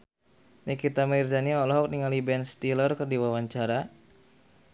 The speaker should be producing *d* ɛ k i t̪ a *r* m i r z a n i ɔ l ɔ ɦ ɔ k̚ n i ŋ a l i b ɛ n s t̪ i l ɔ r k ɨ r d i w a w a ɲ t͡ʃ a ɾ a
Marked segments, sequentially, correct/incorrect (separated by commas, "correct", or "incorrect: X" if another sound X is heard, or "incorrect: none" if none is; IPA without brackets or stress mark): incorrect: n, incorrect: none